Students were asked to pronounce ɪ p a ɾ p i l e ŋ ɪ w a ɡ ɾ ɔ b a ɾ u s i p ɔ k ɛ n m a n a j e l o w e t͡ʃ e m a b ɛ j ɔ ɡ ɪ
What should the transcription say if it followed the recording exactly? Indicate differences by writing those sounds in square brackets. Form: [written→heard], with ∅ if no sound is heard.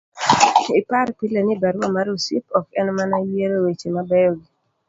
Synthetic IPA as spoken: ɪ p a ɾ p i l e [ŋ→n] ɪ [w→b] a [ɡ→∅] ɾ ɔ [b→m] a ɾ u s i p ɔ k ɛ n m a n a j e [l→ɾ] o w e t͡ʃ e m a b ɛ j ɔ ɡ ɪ